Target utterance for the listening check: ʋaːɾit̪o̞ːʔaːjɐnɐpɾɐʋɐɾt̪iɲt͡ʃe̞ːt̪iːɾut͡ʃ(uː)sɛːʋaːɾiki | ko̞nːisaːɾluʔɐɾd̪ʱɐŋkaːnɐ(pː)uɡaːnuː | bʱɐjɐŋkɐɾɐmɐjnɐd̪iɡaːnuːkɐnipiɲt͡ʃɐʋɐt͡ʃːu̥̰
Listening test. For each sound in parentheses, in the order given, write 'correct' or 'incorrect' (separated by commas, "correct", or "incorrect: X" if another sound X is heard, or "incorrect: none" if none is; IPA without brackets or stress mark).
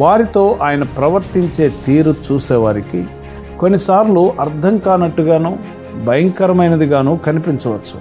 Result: correct, incorrect: ʈː